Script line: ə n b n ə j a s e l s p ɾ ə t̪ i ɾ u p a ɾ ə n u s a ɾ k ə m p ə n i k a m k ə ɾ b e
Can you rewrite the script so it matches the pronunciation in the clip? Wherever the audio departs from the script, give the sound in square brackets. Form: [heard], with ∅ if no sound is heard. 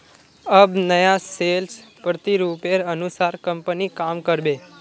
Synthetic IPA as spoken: ə [∅] b n ə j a s e l s p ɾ ə t̪ i ɾ u p [e] ɾ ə n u s a ɾ k ə m p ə n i k a m k ə ɾ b e